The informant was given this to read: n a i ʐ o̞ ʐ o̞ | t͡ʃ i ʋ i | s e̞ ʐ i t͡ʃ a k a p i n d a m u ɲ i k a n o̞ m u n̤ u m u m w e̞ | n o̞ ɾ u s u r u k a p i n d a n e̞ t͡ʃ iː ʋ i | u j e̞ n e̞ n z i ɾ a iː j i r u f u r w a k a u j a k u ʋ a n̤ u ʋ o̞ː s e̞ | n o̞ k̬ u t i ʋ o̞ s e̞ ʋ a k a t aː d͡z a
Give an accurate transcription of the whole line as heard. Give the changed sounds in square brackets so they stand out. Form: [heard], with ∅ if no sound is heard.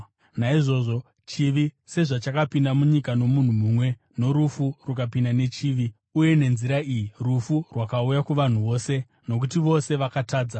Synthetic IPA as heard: n a i ʐ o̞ ʐ o̞ | t͡ʃ i ʋ i | s e̞ ʐ [a] t͡ʃ a k a p i n d a m u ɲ i k a n o̞ m u n̤ u m u m w e̞ | n o̞ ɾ u [f] u r u k a p i n d a n e̞ t͡ʃ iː ʋ i | u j e̞ n e̞ n z i ɾ a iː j i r u f u r w a k a u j a k u ʋ a n̤ u ʋ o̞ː s e̞ | n o̞ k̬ u t i ʋ o̞ s e̞ ʋ a k a t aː d͡z a